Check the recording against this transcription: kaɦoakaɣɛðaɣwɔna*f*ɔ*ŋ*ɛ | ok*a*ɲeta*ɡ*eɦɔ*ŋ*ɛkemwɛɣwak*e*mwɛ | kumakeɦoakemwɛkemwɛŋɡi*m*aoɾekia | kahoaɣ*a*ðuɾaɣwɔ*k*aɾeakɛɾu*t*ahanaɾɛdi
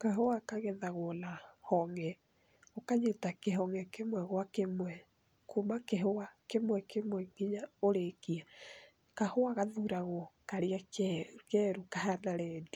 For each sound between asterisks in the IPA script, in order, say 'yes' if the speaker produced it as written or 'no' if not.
no, yes, yes, no, yes, yes, no, yes, yes, no

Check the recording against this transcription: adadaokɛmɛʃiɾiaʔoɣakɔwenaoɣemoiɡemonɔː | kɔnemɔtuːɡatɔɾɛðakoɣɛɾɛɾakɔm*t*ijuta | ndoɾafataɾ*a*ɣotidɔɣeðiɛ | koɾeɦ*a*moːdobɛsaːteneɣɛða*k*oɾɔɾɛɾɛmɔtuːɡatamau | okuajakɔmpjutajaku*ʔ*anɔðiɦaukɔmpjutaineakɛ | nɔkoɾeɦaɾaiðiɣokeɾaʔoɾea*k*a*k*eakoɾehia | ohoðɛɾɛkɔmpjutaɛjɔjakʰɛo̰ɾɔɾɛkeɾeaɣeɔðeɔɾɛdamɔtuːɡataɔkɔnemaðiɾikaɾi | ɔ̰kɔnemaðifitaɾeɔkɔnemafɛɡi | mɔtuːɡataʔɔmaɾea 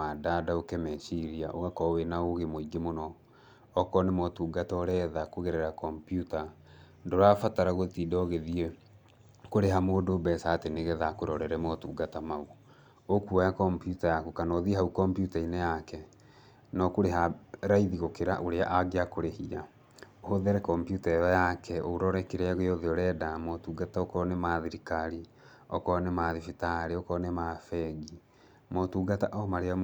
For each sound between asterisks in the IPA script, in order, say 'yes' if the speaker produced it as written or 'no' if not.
no, yes, yes, yes, no, no, no

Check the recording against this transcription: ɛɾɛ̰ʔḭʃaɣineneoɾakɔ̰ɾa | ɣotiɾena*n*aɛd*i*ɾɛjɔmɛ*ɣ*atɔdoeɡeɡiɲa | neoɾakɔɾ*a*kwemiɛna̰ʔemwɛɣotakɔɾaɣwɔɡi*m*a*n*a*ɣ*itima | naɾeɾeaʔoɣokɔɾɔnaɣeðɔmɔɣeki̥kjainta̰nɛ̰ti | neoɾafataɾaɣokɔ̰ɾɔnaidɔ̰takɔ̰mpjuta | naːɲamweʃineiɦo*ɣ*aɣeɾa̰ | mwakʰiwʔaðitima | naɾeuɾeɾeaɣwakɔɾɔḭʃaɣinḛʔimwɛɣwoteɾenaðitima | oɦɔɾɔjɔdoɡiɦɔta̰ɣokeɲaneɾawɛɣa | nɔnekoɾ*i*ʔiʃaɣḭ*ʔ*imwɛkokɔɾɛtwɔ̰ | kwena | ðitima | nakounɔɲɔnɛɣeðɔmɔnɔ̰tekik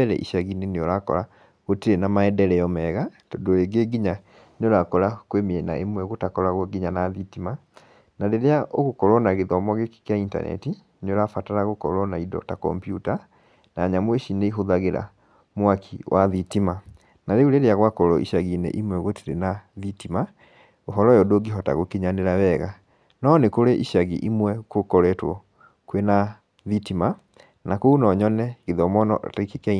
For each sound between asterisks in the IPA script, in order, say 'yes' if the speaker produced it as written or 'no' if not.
no, no, yes, yes, no, yes, no, no, no, yes

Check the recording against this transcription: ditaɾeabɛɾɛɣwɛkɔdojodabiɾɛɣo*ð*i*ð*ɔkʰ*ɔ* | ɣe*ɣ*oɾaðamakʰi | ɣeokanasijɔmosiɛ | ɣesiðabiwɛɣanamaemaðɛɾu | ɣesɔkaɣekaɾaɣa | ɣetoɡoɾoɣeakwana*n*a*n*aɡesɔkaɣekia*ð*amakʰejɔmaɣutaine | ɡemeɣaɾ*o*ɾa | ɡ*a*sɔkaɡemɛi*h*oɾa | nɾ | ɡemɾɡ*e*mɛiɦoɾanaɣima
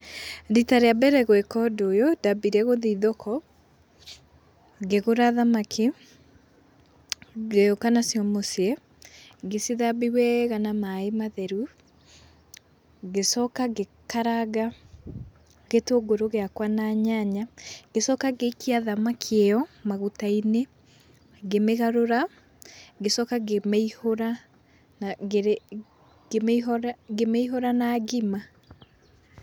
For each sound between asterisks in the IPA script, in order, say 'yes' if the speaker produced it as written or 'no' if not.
yes, yes, yes, yes, no, no, yes, yes, no, yes, yes

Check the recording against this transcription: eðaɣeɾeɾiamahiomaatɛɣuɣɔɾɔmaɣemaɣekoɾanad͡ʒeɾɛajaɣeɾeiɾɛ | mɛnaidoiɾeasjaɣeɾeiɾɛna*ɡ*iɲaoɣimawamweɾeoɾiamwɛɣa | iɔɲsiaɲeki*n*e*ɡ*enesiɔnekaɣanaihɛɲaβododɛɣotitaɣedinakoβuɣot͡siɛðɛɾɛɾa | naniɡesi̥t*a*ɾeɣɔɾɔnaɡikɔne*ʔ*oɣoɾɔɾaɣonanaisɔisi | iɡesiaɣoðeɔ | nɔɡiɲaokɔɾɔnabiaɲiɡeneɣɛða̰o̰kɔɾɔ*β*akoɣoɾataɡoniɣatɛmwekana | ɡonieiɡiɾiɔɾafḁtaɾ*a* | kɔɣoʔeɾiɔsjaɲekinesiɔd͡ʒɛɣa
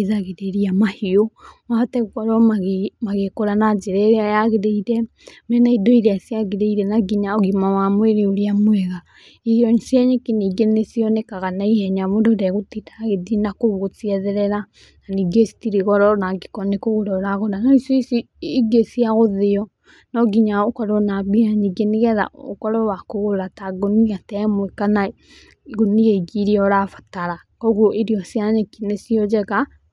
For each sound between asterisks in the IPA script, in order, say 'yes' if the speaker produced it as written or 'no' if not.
yes, yes, yes, no, no, no, yes

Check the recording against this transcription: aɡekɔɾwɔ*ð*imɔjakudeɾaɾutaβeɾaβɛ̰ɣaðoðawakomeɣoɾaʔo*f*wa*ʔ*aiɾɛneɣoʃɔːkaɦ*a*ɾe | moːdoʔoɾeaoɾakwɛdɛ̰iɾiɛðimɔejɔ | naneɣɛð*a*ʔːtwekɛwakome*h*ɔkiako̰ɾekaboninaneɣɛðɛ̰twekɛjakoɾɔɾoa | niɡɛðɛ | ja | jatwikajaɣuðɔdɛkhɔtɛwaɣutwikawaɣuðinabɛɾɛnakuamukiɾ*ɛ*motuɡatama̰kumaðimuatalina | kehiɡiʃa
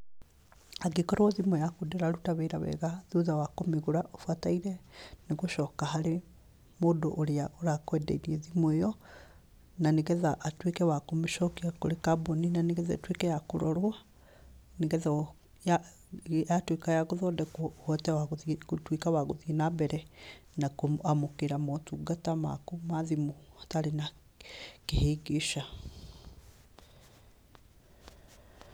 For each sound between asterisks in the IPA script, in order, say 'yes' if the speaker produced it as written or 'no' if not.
yes, yes, no, yes, yes, no, no

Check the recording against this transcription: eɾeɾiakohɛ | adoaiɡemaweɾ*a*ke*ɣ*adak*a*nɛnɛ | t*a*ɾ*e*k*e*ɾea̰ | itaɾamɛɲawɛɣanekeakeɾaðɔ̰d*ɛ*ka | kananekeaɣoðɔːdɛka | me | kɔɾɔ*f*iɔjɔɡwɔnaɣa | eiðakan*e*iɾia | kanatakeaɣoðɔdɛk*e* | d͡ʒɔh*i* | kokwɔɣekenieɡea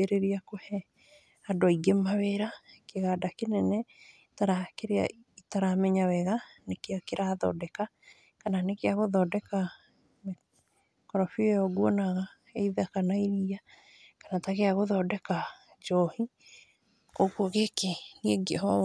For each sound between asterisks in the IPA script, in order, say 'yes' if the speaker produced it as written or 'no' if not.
yes, yes, no, yes, no, yes, yes, yes, no, no, yes

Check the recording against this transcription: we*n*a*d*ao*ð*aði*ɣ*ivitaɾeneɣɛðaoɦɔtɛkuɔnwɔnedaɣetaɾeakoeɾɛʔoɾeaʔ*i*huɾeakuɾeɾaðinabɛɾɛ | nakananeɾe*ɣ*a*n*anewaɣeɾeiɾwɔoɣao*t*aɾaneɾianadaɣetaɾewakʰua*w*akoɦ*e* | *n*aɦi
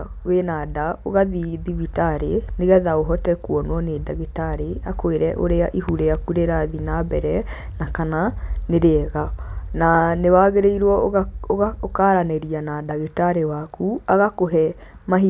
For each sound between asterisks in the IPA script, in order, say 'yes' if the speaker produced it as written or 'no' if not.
yes, yes, no, no, yes, yes, yes, no, no, no, no

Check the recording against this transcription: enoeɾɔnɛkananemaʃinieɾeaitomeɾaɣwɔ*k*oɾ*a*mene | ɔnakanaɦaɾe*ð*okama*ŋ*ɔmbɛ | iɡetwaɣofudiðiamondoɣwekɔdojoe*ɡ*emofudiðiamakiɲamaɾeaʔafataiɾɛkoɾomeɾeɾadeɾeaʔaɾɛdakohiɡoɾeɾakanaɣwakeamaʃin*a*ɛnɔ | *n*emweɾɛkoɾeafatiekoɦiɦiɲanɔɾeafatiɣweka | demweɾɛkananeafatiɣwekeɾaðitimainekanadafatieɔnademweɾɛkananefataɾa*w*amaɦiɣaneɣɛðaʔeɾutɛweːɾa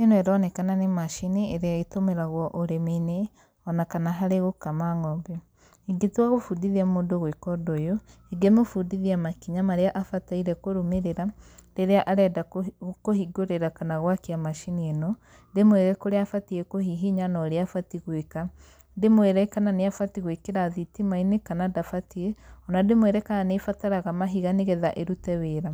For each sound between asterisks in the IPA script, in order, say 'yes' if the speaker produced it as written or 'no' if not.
no, no, no, yes, yes, no, no, no

